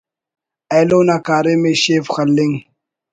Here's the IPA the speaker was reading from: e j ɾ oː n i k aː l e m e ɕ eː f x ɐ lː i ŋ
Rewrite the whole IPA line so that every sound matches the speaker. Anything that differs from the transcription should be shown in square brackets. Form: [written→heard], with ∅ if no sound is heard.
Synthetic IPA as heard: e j [ɾ→l] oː n [i→a] k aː [l→ɾ] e m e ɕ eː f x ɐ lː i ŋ